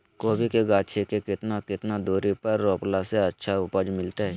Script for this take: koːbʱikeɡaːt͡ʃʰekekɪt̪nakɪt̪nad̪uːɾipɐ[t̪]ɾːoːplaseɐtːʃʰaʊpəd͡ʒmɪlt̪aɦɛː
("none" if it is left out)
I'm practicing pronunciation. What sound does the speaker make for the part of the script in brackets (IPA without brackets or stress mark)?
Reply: none